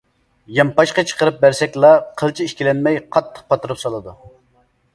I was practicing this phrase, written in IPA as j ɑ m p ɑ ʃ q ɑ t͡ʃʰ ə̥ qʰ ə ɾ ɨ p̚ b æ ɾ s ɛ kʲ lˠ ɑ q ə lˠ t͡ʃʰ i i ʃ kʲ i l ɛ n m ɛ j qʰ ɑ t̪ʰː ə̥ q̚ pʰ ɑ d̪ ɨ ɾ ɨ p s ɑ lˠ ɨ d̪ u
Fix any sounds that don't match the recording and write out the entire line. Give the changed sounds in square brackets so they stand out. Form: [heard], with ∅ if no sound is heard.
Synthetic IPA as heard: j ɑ m p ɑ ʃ q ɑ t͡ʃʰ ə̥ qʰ ə ɾ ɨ p̚ b æ ɾ s ɛ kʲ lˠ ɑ [qʰ] ə lˠ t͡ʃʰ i i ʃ kʲ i l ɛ n m ɛ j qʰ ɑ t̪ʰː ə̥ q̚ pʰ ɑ [t̪] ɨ ɾ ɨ p s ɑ lˠ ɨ d̪ u